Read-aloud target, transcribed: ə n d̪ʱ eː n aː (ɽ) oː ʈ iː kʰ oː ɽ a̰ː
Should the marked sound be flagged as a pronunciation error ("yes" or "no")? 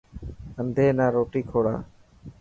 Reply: yes